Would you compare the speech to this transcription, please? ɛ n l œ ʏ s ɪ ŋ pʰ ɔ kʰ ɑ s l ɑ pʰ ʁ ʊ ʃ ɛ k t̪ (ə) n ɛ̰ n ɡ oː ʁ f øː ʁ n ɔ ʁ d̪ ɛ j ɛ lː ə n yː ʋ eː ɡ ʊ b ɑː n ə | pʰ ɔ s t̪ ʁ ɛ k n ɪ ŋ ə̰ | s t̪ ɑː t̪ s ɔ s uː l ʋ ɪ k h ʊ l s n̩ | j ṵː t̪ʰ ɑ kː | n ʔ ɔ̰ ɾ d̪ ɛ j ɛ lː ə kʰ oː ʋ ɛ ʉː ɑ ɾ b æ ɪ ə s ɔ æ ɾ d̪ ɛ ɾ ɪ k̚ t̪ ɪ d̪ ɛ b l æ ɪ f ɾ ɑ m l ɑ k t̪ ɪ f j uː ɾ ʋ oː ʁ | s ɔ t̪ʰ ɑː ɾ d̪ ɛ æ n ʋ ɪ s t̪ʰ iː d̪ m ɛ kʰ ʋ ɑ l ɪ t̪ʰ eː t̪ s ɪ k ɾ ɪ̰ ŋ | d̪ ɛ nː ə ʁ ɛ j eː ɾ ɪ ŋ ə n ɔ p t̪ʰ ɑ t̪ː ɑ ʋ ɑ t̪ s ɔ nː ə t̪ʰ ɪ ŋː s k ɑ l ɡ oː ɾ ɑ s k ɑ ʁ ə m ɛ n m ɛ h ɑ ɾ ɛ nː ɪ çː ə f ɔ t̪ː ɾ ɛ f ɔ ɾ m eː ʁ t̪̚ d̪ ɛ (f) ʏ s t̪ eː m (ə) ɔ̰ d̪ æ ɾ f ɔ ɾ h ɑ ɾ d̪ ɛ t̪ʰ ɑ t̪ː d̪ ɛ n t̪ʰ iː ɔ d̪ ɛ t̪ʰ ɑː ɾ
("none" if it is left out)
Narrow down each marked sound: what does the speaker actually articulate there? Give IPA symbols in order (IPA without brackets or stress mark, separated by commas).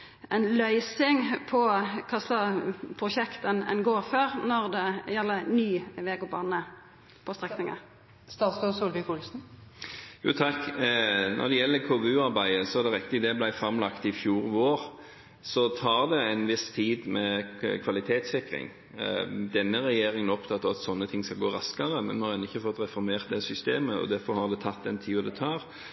ə, s, ə